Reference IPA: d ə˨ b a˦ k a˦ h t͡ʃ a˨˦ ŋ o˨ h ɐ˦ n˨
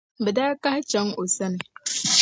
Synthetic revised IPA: b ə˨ d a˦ k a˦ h t͡ʃ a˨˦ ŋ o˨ s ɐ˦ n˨